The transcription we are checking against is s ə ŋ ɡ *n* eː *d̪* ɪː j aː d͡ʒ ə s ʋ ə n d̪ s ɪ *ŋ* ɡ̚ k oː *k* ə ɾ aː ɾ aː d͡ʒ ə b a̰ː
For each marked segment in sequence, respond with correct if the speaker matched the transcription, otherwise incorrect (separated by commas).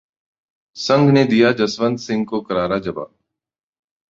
correct, correct, correct, correct